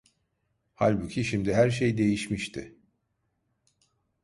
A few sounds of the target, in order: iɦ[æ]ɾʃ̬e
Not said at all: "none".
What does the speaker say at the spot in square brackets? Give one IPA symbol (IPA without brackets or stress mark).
æ